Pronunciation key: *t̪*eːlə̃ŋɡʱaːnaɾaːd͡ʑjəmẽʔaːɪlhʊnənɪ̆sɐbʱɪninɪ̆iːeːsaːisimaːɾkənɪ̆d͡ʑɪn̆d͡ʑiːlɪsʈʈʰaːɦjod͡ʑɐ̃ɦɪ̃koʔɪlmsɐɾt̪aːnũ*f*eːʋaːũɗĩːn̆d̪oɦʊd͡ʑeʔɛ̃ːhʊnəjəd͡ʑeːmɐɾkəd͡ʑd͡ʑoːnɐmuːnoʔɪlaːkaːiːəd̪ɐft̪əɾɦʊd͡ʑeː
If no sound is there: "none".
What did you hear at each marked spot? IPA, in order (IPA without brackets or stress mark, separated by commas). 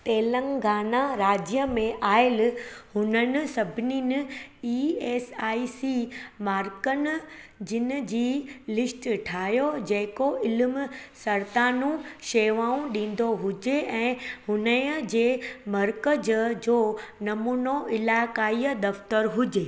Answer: t̪, ʃ